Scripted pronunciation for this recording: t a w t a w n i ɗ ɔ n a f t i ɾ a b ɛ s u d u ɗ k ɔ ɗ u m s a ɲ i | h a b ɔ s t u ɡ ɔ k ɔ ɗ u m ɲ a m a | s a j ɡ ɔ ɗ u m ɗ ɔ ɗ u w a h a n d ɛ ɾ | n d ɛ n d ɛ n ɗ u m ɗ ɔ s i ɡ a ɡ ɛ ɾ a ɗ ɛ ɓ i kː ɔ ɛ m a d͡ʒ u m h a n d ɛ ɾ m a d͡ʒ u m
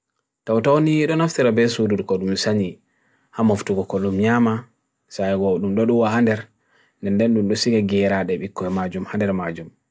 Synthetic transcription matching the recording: t a w t a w n i ɗ ɔ n a f t i ɾ a b ɛ s u d u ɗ k ɔ ɗ u m s a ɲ i | h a m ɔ f t u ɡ ɔ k ɔ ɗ u m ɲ a m a | s a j ɡ ɔ ɗ u m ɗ ɔ ɗ u w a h a n d ɛ ɾ | n d ɛ n d ɛ n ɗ u m ɗ ɔ s i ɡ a ɡ ɛ ɾ a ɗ ɛ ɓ i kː ɔ ɛ m a d͡ʒ u m h a n d ɛ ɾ m a d͡ʒ u m